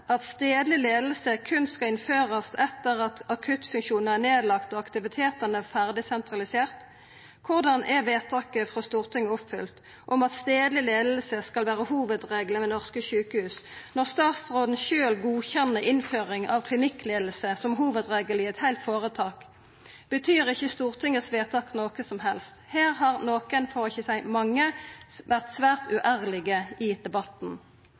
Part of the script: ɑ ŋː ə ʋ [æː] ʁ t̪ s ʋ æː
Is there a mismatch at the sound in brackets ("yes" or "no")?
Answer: yes